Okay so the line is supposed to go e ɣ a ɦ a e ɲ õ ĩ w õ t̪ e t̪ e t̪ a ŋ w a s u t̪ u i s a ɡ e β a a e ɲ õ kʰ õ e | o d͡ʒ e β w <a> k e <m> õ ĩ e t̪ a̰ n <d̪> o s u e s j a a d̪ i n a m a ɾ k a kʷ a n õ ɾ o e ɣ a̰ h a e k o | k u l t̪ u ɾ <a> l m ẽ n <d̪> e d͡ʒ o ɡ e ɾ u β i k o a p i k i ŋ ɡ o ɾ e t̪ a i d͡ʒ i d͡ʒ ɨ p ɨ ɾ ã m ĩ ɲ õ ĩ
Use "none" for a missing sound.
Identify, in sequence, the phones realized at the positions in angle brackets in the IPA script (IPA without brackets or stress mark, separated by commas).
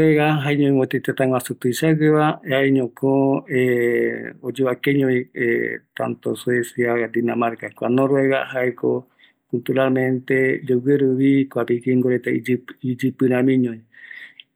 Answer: a, ɲ, t̪, a, t̪